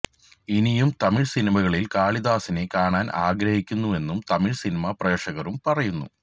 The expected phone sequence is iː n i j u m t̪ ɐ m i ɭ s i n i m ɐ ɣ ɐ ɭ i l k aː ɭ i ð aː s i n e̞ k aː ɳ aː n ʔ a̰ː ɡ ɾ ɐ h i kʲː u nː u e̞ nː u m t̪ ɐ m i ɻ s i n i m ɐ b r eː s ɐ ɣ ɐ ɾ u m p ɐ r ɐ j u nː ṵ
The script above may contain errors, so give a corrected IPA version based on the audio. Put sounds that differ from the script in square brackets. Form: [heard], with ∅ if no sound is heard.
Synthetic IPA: [i] n i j u m t̪ ɐ m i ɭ s i n i m ɐ ɣ ɐ ɭ i l k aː ɭ i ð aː s i n e̞ k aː ɳ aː n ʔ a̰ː ɡ ɾ ɐ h i kʲː u nː u e̞ nː u m t̪ ɐ m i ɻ s i n i m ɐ [p] r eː [ʂ] ɐ ɣ ɐ ɾ u m p ɐ r ɐ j u nː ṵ